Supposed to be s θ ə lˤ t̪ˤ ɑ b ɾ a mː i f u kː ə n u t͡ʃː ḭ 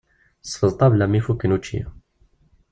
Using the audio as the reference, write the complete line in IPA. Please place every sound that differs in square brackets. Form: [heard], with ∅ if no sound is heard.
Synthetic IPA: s [f] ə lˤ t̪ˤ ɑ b [l] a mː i f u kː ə n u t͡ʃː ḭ

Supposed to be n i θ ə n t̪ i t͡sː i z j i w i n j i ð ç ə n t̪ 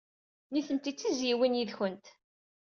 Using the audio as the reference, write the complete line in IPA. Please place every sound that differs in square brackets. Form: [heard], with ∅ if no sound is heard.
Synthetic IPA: n i θ ə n t̪ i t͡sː i z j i w i n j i ð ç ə n t̪

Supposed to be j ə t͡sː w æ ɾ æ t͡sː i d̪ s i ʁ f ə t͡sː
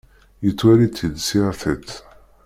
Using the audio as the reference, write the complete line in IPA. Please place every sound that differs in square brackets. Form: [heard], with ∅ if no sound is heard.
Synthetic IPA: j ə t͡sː w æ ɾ [i] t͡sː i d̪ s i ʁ [θ] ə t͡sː

